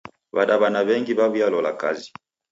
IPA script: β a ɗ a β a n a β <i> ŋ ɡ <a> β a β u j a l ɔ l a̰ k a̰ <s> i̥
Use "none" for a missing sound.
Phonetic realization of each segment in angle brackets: ɛ, i, z

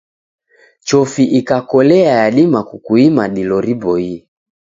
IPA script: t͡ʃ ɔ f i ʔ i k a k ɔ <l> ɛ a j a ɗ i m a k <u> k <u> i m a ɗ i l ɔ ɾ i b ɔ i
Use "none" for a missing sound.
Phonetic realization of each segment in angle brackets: l, u, u

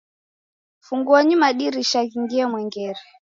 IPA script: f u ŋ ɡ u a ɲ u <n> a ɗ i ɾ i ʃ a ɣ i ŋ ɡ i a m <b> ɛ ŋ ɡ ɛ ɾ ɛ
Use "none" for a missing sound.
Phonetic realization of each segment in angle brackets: m, w

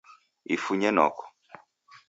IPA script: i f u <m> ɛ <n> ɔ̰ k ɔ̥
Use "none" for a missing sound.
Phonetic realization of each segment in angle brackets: ɲ, n

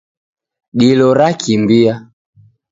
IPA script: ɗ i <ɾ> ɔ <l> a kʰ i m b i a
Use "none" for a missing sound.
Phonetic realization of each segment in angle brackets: l, ɾ

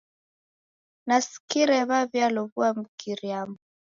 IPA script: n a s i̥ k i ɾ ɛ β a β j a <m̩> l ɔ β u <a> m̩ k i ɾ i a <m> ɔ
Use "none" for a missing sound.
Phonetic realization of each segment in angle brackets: none, a, m

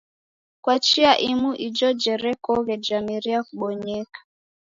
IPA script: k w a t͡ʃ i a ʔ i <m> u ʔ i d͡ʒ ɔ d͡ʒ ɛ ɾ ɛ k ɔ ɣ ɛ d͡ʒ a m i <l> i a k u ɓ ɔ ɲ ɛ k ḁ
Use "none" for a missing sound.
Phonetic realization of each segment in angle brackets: m, ɾ

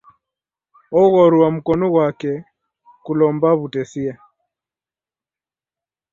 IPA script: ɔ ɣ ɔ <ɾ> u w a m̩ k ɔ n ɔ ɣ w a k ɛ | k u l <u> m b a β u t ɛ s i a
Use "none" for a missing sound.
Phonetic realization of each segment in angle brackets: ɾ, ɔ

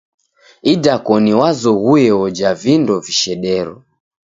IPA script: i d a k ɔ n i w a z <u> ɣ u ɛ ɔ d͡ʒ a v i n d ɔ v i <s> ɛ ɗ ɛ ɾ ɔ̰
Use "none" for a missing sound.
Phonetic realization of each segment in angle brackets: ɔ, ʃ

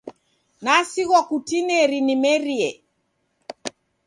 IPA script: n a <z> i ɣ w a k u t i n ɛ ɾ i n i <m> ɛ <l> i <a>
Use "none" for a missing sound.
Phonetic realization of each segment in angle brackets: s, m, ɾ, ɛ

